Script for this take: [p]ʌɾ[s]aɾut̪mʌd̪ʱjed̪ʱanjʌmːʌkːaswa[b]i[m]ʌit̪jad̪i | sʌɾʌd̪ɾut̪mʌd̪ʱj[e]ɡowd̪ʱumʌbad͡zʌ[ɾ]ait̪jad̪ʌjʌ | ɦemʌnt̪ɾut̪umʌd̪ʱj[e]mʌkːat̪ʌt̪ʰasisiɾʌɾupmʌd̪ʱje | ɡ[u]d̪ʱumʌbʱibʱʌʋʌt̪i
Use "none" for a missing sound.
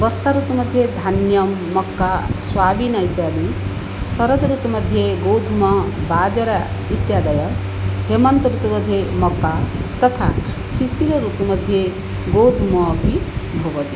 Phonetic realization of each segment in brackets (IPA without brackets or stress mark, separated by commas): b, s, b, n, e, ɾ, e, o